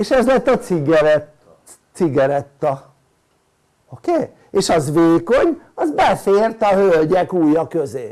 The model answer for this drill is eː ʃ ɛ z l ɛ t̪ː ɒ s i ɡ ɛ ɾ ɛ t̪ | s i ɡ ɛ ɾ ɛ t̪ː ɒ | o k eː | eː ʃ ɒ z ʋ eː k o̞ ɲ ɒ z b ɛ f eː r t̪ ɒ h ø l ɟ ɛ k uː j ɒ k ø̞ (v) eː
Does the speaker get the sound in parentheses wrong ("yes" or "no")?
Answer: yes